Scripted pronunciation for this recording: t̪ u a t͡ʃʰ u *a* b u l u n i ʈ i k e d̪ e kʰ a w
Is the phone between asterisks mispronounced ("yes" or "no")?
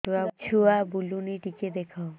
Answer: no